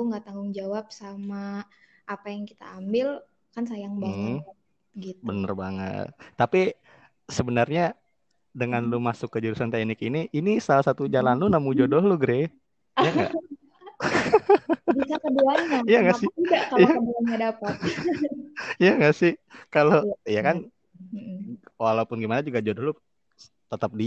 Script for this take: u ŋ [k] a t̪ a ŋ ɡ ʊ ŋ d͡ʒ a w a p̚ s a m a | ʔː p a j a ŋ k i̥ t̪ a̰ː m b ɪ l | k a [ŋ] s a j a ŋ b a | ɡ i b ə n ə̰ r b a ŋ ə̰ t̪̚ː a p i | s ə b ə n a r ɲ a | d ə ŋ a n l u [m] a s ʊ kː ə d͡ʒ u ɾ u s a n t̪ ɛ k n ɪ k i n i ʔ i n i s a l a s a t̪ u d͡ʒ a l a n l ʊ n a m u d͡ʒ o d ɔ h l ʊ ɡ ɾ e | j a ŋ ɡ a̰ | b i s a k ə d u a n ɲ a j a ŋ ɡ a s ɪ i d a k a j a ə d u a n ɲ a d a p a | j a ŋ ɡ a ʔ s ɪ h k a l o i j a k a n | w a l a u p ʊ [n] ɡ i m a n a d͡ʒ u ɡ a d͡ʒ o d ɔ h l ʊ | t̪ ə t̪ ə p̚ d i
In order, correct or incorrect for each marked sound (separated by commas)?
incorrect, incorrect, correct, correct